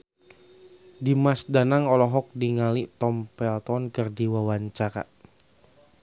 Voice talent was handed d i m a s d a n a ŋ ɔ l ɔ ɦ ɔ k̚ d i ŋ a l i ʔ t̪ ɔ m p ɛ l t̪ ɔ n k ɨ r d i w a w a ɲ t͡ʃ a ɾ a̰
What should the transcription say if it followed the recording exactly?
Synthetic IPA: d i m a s d a n a ŋ ɔ l ɔ ɦ ɔ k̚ d i ŋ a l i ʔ t̪ ɔ m p ɛ l t̪ ɔ n k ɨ r d i w a w a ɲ t͡ʃ a ɾ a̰